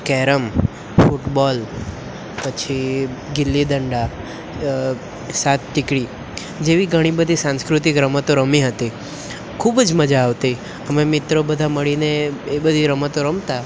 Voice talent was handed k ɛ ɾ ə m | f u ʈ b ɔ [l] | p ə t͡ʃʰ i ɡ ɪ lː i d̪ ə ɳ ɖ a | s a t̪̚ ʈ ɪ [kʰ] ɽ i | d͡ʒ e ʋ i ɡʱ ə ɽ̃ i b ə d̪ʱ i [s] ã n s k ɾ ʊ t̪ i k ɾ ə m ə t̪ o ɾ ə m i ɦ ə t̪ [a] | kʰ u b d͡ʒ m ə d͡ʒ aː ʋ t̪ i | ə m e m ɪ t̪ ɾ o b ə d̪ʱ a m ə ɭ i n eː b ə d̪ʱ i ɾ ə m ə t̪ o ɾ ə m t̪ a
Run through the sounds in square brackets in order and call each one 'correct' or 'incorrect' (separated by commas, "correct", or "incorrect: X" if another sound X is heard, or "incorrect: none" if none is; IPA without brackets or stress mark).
correct, incorrect: k, correct, incorrect: i